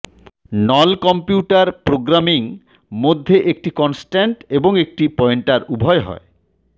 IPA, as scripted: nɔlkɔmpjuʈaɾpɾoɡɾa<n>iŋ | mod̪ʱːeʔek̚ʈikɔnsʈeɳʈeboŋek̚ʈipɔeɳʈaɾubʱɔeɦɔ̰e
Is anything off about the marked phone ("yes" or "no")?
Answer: yes